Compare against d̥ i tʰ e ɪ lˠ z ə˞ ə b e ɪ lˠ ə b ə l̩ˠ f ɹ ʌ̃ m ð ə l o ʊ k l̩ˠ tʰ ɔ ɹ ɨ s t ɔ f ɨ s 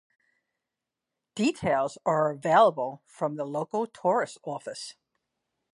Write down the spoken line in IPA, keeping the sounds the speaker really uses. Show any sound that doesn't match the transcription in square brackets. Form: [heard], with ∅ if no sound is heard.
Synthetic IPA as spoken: d̥ i tʰ e ɪ lˠ z ə˞ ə [v] e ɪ lˠ ə b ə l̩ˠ f ɹ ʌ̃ m ð ə l o ʊ k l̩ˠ tʰ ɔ ɹ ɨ s t ɔ f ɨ s